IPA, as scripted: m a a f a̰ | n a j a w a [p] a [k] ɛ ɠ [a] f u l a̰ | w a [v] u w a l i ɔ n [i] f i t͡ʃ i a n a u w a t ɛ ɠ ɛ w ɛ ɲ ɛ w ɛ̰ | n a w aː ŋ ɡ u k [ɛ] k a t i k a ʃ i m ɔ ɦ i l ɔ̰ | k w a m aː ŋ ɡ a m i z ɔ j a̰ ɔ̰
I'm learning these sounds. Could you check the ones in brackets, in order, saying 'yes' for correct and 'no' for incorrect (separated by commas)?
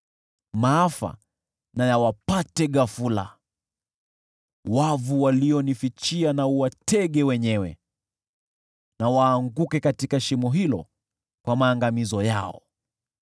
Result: yes, no, yes, yes, yes, yes